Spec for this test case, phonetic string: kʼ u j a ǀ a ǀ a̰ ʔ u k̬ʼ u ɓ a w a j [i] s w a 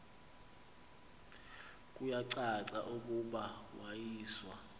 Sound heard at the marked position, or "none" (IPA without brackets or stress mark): iː